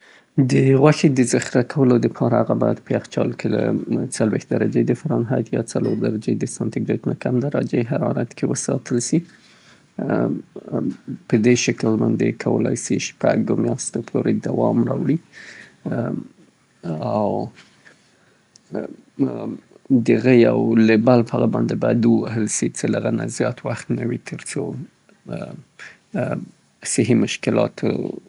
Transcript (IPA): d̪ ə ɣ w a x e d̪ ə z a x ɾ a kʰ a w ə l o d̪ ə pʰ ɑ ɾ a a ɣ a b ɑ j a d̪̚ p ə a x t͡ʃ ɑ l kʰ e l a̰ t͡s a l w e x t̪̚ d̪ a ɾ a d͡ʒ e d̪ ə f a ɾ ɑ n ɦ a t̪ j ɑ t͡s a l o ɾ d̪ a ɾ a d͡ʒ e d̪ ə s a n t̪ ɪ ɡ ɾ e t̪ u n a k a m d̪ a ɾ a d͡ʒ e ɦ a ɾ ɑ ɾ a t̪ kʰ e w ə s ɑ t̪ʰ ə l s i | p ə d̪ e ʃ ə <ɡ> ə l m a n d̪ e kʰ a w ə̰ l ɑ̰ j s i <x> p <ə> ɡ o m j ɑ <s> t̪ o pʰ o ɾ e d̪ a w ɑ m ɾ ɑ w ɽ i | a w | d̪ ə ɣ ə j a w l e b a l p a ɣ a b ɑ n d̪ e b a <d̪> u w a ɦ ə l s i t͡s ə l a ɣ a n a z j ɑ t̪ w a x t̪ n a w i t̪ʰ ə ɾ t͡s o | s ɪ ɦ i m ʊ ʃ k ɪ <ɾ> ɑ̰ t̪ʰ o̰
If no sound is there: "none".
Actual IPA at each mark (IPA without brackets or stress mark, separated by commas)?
k, ʃ, a, s, d̪, l